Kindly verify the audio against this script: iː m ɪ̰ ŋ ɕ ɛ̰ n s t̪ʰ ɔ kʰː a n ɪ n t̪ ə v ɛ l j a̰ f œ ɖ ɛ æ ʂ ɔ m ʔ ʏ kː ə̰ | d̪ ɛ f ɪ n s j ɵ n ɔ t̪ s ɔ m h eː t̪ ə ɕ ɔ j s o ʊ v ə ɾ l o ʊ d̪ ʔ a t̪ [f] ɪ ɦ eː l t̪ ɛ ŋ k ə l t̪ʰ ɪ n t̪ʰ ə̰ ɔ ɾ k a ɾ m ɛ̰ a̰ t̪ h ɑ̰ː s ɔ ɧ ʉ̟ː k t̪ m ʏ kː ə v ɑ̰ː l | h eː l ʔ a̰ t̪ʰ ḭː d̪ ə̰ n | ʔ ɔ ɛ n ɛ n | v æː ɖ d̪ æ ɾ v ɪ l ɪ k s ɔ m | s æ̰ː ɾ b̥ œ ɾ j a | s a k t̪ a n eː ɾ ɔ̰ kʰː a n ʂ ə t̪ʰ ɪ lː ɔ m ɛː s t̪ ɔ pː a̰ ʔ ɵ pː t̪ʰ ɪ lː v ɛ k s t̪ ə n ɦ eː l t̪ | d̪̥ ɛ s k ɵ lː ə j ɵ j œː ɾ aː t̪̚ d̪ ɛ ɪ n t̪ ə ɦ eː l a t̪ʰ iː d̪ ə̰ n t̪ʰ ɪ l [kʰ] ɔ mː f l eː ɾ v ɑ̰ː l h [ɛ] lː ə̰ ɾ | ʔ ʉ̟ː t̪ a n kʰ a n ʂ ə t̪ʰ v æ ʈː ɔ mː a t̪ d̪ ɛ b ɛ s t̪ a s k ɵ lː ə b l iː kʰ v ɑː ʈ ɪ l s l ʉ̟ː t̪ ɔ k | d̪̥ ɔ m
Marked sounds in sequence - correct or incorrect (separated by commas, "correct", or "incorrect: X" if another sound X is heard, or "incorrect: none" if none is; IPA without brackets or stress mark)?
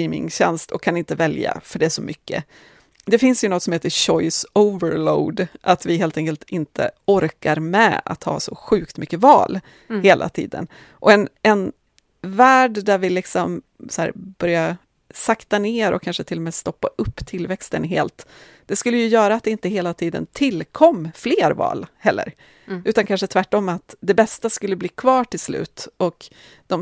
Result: incorrect: v, correct, correct